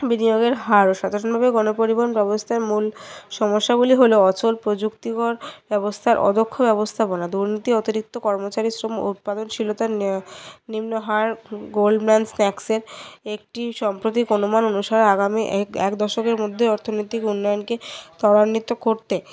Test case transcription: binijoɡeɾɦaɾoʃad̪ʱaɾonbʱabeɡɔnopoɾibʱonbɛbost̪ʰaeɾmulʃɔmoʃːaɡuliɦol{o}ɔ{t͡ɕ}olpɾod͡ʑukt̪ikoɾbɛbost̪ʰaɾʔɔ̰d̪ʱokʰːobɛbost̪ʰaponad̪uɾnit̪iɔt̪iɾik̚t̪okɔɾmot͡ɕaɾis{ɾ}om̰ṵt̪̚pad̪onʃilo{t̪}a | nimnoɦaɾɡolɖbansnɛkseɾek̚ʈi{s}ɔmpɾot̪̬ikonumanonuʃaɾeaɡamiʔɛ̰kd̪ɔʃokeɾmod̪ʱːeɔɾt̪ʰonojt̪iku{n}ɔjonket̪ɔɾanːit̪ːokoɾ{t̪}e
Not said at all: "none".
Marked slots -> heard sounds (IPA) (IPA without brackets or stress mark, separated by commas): o, t͡ɕ, ɾ, t̪, ʃ, nː, t̪